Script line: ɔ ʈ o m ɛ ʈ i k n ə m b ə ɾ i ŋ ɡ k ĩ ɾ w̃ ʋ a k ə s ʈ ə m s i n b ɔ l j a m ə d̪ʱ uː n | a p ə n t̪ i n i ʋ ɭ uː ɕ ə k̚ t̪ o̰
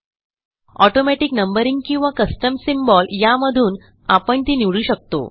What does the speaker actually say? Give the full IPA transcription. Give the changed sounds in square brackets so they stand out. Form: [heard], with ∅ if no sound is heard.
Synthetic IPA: ɔ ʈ o m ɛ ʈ i k n ə m b ə ɾ i ŋ ɡ k ĩ [∅] w̃ ʋ a k ə s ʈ ə m s i [m] b ɔ l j a m ə d̪ʱ uː n | a p ə [ɳ] t̪ i n i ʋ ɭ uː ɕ ə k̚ t̪ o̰

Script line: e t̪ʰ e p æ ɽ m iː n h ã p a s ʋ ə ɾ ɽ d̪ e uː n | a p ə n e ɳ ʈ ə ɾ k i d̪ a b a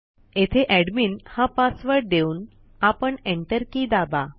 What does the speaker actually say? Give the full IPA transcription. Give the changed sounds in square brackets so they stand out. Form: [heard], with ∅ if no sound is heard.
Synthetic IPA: e t̪ʰ e [ʔ] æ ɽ m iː n h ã p a s ʋ ə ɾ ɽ d̪ e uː n | a p ə [ɳ] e ɳ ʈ ə ɾ k i d̪ a b a

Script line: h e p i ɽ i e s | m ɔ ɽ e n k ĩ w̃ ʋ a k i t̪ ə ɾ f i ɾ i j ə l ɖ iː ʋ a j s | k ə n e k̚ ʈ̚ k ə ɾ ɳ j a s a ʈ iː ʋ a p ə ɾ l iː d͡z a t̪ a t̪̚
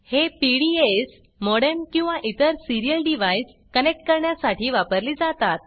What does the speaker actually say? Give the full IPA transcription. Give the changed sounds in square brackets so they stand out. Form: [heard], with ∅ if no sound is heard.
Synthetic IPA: h e p i ɽ i e s | m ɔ ɽ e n k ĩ w̃ ʋ a [ʔ] i t̪ ə ɾ [s] i ɾ i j ə l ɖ [i] ʋ a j s | k ə n e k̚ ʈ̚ k ə ɾ ɳ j a s a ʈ iː ʋ a p ə ɾ l iː d͡z a t̪ a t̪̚

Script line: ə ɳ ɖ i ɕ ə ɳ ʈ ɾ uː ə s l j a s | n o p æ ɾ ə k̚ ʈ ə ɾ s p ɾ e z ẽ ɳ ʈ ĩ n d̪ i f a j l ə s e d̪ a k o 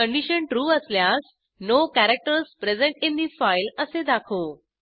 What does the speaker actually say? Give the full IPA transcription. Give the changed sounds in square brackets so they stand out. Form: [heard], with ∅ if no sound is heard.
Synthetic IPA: ə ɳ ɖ i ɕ ə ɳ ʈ ɾ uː ə s l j a s | n o [k] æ ɾ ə k̚ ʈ ə ɾ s p ɾ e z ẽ ɳ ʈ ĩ n d̪ i f a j l ə s e d̪ a [kʰ] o

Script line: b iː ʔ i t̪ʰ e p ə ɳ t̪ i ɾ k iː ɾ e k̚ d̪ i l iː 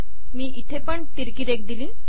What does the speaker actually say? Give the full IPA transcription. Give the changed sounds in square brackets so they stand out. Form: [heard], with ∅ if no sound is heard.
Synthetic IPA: [m] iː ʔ i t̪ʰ e p ə ɳ t̪ i ɾ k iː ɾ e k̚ d̪ i l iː

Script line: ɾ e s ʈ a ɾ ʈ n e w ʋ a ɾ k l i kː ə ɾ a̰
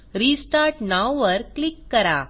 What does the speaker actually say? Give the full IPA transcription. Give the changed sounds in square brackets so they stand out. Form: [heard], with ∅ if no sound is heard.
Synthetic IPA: ɾ [i] s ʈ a ɾ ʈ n [a] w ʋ [ə] ɾ k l i kː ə ɾ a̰

